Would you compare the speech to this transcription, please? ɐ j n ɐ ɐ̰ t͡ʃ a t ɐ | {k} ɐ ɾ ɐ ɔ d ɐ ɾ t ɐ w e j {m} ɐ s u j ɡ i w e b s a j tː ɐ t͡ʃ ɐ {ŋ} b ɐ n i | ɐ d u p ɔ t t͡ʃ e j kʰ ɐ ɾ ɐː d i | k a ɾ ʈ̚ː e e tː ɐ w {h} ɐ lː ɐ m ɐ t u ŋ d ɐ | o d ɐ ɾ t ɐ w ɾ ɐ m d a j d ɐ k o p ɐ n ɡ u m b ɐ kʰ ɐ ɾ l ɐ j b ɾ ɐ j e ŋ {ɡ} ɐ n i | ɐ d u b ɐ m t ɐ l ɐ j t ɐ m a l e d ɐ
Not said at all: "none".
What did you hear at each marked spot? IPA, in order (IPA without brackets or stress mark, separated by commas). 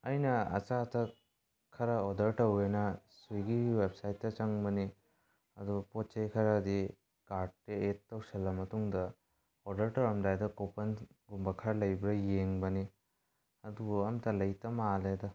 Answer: kʰ, n, ŋ, s, b